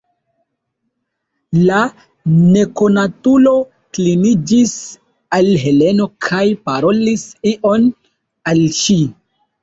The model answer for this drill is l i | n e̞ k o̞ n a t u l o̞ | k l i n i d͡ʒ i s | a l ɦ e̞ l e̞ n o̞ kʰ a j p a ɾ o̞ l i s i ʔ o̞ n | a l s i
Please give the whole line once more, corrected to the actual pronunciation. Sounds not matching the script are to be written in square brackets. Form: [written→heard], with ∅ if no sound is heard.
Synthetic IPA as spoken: l [i→a] | n e̞ k o̞ n a t u l o̞ | k l i n i d͡ʒ i s | a l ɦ e̞ l e̞ n o̞ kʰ a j p a ɾ o̞ l i s i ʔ o̞ n | a l [s→ʃ] i